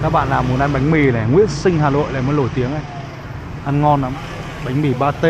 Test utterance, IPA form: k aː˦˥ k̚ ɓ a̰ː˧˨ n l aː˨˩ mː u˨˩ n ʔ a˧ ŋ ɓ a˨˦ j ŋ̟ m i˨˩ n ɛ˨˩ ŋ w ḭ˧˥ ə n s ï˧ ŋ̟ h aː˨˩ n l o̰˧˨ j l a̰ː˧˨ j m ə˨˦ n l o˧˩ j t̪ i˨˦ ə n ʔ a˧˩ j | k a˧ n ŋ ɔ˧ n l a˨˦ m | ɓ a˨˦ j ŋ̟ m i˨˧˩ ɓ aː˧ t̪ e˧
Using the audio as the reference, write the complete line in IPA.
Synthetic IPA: k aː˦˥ k̚ ɓ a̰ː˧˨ n l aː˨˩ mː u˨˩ n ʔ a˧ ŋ ɓ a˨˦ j ŋ̟ m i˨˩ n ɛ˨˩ ŋ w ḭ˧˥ ə n s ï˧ ŋ̟ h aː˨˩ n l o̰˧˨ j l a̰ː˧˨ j m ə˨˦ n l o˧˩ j t̪ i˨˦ ə ŋ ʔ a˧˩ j | ʔ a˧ n ŋ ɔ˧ n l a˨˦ m | ɓ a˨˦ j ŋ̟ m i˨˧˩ ɓ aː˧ t̪ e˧